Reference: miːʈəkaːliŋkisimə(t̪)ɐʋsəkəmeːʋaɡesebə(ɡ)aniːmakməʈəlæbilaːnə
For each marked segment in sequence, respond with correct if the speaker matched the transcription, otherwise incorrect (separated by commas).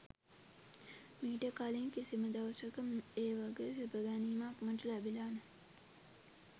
incorrect, correct